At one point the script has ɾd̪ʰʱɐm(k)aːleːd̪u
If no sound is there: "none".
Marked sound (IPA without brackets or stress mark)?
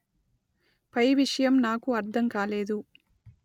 k